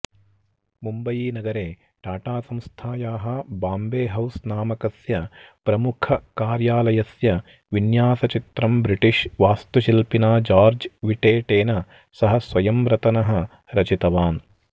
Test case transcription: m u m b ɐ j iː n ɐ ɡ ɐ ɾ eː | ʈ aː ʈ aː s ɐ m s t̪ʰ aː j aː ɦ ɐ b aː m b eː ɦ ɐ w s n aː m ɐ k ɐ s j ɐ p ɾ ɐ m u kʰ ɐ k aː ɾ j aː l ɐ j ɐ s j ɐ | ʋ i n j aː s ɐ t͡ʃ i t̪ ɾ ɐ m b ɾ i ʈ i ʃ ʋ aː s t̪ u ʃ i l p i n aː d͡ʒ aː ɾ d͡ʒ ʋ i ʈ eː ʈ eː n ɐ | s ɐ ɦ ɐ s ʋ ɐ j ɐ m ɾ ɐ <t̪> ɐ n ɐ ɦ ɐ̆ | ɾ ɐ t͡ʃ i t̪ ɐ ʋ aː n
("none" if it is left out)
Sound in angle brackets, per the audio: t̪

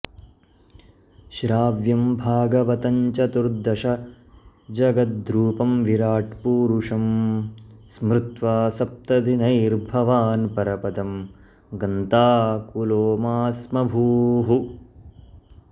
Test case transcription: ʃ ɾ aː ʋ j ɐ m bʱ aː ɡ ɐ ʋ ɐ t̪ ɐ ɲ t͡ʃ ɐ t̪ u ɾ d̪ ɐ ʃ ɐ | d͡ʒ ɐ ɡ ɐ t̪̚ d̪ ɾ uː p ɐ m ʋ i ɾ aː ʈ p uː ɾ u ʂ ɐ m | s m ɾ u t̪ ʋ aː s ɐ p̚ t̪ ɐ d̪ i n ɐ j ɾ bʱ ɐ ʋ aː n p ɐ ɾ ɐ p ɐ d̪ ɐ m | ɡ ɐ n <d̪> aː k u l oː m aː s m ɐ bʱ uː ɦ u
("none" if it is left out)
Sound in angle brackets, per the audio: t̪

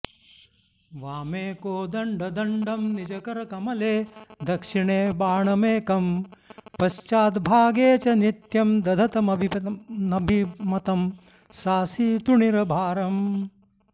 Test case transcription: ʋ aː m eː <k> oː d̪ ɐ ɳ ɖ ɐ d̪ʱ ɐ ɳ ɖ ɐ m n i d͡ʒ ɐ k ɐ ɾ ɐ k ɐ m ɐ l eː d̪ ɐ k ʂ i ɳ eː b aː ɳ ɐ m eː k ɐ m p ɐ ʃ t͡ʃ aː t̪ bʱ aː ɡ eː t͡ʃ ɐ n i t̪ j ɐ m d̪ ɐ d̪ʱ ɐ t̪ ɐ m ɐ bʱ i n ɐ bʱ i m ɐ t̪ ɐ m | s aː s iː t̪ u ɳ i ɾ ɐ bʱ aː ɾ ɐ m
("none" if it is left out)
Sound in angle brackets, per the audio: k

